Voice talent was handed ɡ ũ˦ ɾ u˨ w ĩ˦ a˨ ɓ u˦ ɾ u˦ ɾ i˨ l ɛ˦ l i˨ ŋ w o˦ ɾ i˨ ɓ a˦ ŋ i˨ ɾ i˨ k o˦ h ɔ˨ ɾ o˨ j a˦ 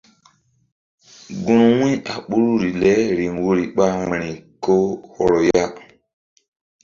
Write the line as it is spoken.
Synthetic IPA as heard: ɡ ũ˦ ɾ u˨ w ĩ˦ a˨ ɓ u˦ ɾ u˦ ɾ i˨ l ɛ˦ ɾ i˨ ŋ w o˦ ɾ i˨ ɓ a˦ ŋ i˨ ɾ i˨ k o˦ h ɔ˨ ɾ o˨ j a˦